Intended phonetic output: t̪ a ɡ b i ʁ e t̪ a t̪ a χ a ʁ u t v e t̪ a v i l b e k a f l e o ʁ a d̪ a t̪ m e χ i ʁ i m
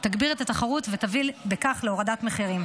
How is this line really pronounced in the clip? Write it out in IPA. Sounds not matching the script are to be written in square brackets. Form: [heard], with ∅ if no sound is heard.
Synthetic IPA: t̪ a ɡ b i ʁ e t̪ a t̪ a χ a ʁ u t v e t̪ a v i l b e k a [χ] l e o ʁ a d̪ a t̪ m e χ i ʁ i m